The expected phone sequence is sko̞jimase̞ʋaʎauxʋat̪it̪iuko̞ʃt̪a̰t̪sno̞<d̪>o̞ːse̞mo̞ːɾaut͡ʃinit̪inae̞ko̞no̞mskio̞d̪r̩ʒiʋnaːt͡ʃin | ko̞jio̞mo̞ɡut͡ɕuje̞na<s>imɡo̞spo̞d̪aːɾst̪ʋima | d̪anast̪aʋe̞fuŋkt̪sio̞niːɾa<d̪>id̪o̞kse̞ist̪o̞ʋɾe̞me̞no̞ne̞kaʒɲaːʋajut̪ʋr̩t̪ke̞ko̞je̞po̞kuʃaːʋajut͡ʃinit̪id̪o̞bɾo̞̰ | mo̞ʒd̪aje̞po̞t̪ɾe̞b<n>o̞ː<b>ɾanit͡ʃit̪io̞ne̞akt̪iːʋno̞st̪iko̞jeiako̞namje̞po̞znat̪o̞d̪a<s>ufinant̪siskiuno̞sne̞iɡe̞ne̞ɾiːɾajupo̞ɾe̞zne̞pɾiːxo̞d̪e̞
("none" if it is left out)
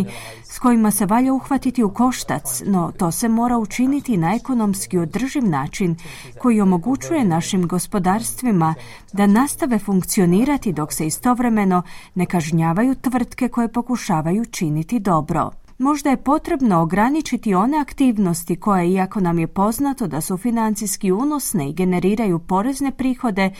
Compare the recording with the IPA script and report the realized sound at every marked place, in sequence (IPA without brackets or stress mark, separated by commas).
t̪, ʃ, t̪, n, ɡ, s